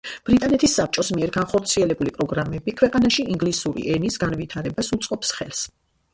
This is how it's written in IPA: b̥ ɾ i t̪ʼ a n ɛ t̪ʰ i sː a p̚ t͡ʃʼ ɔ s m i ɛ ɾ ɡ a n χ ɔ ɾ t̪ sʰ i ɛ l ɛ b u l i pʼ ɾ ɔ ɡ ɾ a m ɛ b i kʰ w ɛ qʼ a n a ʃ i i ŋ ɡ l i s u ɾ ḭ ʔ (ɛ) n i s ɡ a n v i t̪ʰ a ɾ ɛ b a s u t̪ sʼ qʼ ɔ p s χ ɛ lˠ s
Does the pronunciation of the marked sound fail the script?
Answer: no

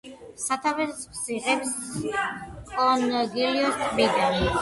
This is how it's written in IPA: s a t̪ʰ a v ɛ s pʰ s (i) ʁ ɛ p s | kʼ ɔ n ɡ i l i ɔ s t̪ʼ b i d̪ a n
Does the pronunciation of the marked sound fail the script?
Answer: no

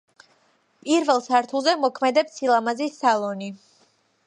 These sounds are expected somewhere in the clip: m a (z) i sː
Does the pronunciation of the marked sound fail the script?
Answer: no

